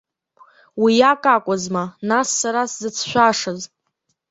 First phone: w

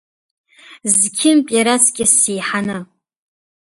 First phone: z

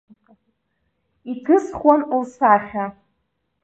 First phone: i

